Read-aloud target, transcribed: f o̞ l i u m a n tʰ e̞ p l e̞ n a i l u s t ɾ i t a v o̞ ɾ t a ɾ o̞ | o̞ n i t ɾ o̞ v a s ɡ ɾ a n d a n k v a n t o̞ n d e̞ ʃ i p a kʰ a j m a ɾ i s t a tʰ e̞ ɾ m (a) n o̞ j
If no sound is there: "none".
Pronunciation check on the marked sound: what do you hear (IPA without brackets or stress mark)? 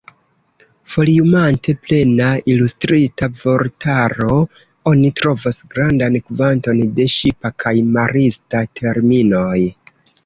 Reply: i